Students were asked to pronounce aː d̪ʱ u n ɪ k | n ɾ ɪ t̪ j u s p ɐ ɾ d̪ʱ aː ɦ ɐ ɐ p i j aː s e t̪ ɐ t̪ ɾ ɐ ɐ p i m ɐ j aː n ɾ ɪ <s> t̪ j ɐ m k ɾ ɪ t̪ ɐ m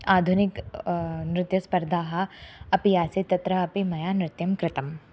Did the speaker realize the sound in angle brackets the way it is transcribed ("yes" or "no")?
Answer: no